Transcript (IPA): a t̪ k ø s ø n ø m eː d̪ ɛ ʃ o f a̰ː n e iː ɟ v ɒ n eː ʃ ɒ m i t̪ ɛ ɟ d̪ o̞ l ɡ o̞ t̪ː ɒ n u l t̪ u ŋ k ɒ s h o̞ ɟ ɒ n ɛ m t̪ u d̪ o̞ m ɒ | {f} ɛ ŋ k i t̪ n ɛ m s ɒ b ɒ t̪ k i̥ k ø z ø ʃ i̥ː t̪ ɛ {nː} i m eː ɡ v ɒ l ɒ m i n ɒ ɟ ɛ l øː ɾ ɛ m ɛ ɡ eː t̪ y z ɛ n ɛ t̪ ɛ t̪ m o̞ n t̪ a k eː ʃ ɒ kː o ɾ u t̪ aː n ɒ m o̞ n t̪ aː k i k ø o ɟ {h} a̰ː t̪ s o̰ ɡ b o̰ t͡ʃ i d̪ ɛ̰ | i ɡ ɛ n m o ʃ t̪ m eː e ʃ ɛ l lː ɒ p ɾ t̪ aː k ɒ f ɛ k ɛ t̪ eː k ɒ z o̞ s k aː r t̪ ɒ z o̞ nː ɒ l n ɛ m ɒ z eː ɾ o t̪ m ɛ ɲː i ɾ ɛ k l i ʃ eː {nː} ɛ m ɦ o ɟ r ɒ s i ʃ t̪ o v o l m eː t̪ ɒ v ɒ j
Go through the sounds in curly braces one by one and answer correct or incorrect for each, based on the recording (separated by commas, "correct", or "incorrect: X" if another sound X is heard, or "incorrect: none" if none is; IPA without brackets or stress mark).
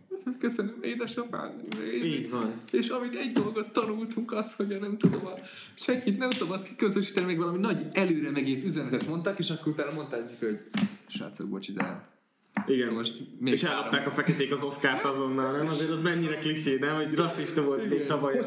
incorrect: ʃ, incorrect: n, incorrect: ʃ, incorrect: n